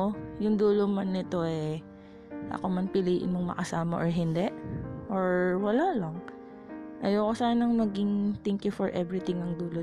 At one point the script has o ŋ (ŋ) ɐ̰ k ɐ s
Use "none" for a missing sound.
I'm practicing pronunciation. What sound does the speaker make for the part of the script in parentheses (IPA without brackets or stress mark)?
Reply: m